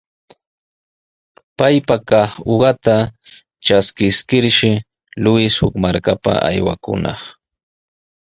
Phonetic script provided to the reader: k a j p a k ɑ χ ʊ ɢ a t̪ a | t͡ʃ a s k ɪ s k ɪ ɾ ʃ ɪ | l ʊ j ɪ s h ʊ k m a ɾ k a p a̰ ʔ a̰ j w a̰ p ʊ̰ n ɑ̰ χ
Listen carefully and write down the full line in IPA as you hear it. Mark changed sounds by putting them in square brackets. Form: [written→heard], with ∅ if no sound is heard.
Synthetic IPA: [k→p] a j p a k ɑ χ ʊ ɢ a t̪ a | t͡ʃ a s k ɪ s k ɪ ɾ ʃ ɪ | l ʊ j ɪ s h ʊ k m a ɾ k a p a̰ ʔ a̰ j w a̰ [p→k] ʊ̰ n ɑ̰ χ